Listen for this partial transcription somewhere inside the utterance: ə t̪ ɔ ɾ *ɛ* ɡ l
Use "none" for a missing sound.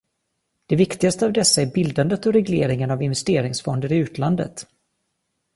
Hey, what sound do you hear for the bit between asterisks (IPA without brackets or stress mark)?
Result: ɛ